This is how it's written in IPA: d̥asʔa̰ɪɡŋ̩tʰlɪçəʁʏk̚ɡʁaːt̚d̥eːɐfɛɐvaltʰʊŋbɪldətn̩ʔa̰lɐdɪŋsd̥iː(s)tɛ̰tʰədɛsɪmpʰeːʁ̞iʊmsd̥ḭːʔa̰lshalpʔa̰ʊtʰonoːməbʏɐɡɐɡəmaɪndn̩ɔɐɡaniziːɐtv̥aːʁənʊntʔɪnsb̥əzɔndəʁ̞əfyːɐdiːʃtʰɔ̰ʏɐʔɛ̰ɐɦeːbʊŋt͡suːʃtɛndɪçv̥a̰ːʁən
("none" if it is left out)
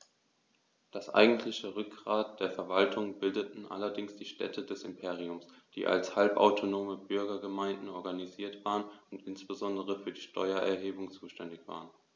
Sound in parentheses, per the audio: ʃ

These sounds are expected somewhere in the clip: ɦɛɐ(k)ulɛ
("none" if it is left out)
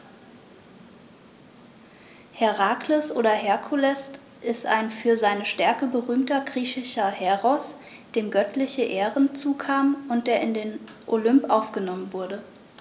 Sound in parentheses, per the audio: kʰ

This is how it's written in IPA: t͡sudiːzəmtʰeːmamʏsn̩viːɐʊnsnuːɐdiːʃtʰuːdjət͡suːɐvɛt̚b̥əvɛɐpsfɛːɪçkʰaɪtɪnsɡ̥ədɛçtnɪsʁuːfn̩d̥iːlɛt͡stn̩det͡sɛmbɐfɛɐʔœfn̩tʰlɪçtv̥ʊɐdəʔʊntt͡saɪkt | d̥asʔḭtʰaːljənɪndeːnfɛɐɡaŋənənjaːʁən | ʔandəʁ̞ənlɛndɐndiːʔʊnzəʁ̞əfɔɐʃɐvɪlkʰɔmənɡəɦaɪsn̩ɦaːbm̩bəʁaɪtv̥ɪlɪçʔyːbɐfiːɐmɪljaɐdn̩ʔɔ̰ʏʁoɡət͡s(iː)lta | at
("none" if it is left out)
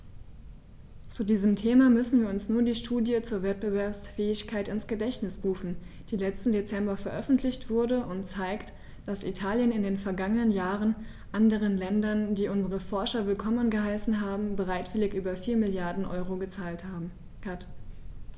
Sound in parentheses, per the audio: aː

